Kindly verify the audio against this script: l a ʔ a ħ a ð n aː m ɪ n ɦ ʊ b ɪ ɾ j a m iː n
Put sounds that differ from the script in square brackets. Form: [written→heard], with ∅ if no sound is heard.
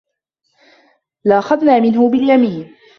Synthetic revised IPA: l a ʔ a [ħ→x] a ð n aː m ɪ n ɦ ʊ b ɪ [ɾ→l] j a m iː n

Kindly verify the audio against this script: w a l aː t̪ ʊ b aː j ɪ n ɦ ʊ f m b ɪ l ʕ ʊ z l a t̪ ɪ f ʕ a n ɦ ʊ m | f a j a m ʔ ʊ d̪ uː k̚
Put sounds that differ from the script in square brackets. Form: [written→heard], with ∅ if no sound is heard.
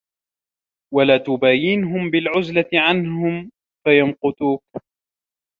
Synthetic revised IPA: w a l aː t̪ ʊ b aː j ɪ n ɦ ʊ [f→∅] m b ɪ l ʕ ʊ z l a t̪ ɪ [f→∅] ʕ a n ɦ ʊ m | f a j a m [ʔ→q] ʊ [d̪→t̪] uː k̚

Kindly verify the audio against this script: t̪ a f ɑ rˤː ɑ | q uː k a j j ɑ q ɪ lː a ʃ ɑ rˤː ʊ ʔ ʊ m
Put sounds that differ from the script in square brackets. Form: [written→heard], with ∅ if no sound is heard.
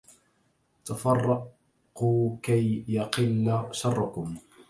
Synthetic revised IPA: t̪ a f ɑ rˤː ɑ | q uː k a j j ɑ q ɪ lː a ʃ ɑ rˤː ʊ [ʔ→k] ʊ m

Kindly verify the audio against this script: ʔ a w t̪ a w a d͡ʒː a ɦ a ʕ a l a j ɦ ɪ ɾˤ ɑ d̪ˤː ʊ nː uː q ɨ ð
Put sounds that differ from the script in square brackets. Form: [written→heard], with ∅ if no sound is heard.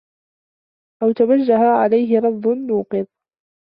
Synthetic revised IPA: ʔ a w t̪ a w a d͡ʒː a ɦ a ʕ a l a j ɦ ɪ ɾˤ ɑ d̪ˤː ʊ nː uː q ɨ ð

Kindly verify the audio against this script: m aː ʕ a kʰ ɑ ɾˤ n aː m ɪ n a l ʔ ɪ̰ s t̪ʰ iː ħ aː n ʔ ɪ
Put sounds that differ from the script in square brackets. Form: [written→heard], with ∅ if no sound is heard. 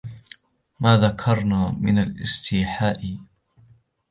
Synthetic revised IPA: m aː [ʕ→ð] a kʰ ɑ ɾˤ n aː m ɪ n a l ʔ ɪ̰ s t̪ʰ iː ħ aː [n→∅] ʔ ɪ

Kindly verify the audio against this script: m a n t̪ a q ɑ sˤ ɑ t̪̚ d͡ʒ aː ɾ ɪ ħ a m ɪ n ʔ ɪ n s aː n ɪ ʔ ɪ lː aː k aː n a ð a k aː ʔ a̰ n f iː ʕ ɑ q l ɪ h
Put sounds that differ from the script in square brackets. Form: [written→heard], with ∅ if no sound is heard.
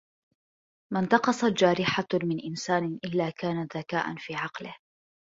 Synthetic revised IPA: m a n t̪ [a→ɑ] q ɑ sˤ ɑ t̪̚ d͡ʒ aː ɾ ɪ ħ a m ɪ n ʔ ɪ n s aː n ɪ ʔ ɪ lː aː k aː n a ð a k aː ʔ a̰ n f iː ʕ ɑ q l ɪ h

